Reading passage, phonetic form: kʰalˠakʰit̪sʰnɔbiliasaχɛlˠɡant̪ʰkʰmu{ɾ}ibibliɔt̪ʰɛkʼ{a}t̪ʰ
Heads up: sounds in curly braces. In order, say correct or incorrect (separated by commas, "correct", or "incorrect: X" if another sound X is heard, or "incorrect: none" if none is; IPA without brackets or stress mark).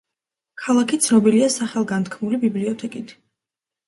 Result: incorrect: l, incorrect: i